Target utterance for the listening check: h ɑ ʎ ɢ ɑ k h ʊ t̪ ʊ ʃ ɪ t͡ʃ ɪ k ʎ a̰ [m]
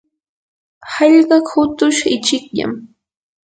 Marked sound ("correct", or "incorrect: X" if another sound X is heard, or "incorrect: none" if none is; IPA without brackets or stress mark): correct